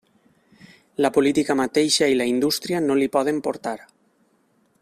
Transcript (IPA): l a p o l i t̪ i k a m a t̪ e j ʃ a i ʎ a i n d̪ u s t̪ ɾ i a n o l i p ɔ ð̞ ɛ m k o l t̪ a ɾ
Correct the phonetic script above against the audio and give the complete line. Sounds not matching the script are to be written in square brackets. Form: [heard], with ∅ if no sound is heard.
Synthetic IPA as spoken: l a p o l i t̪ i k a m a t̪ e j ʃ a i [l] a i n d̪ u s t̪ ɾ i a n o l i p ɔ ð̞ [e] m [p] o [ɾ] t̪ a ɾ